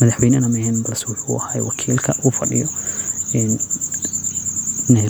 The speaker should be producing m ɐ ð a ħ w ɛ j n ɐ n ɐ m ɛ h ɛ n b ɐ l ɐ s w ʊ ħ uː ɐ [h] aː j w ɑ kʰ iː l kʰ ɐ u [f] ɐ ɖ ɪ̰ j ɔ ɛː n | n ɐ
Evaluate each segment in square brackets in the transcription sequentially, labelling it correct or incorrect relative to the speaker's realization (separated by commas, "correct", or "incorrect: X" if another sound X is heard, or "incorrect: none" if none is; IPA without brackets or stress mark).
correct, correct